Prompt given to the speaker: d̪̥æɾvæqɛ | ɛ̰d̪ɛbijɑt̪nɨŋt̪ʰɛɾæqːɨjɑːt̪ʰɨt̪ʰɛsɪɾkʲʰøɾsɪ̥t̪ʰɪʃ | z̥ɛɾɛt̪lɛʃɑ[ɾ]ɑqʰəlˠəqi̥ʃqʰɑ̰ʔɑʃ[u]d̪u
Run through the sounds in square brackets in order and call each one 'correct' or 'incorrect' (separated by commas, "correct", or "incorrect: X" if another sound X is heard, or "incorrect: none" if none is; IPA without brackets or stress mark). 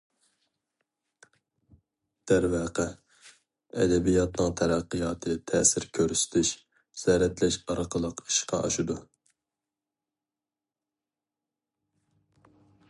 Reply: correct, correct